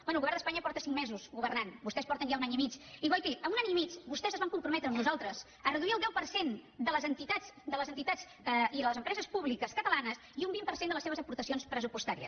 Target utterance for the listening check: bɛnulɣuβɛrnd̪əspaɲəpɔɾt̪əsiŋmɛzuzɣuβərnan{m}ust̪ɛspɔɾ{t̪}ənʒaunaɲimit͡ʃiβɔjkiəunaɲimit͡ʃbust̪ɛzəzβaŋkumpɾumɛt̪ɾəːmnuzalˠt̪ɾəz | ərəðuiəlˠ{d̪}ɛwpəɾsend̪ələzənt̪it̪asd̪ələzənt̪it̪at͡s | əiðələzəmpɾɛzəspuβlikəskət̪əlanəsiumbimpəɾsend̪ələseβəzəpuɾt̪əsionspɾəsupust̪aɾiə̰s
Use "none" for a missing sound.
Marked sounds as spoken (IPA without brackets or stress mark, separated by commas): b, t̪, d̪